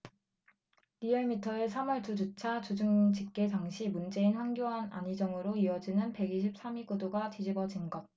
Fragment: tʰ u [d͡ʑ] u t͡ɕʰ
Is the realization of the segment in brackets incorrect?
no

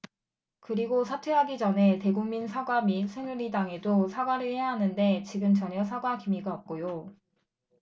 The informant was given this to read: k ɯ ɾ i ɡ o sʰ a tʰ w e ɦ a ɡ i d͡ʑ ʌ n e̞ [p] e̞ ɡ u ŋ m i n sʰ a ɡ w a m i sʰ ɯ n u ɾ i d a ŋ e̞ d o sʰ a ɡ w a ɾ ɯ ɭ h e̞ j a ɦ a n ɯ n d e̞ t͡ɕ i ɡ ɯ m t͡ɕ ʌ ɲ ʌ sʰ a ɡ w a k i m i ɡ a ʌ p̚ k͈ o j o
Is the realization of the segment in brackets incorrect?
yes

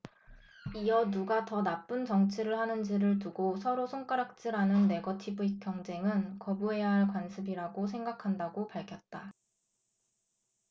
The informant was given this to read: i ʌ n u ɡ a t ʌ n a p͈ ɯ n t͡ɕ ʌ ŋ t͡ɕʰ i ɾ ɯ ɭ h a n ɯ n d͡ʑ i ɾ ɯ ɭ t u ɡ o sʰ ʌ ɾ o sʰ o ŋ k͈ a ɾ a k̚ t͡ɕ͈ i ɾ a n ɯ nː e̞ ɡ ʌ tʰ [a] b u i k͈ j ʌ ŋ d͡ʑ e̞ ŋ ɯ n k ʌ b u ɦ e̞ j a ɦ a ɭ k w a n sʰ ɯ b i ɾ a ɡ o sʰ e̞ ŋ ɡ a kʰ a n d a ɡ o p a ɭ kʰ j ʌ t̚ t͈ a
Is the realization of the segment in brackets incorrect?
yes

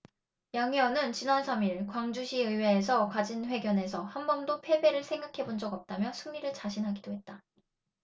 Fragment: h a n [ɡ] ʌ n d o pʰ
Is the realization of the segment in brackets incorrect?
yes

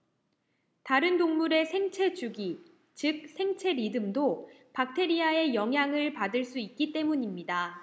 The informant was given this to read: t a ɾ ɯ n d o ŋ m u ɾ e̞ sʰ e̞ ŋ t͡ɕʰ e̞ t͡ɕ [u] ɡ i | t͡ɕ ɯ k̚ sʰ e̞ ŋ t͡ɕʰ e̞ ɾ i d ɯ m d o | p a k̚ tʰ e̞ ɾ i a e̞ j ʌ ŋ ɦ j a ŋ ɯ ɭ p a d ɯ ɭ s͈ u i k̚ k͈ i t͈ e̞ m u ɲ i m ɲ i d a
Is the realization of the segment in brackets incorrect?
no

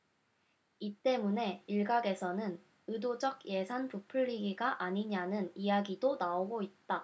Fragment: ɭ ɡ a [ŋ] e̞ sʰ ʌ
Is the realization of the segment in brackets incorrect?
yes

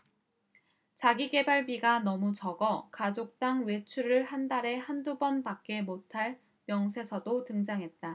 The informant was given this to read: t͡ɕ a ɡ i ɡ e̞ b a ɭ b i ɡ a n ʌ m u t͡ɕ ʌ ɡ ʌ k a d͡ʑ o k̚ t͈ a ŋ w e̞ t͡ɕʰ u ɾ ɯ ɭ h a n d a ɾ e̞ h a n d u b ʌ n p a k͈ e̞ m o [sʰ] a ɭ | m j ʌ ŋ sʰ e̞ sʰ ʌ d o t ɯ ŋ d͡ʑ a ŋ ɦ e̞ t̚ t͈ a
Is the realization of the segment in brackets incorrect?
yes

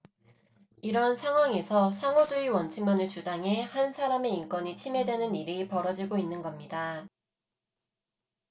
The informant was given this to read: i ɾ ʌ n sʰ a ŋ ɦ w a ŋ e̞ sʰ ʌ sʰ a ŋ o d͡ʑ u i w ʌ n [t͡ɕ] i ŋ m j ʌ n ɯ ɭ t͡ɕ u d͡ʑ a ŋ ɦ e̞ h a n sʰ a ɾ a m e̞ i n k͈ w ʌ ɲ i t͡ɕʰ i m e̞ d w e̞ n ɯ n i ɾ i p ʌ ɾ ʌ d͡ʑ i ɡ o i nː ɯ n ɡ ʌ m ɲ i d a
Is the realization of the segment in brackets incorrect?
yes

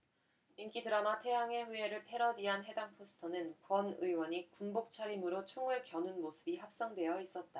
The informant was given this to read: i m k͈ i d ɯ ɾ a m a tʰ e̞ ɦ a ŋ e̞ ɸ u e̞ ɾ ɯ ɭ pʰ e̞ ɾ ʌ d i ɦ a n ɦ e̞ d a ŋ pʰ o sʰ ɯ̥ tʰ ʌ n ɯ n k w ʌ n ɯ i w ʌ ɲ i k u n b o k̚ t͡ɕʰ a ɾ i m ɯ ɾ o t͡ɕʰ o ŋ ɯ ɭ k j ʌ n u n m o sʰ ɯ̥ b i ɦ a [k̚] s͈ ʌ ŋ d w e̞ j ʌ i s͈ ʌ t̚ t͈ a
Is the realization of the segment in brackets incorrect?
yes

